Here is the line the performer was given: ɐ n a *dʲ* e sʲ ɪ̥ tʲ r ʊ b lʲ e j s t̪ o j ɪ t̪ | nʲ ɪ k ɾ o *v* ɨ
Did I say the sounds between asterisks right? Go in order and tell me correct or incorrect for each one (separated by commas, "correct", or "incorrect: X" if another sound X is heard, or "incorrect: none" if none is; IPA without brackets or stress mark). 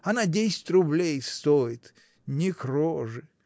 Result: correct, incorrect: ʐ